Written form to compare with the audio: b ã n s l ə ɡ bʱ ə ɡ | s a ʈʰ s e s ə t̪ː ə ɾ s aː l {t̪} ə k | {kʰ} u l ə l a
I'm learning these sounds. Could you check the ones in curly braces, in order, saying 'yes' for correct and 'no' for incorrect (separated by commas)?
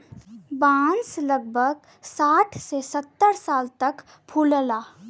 yes, no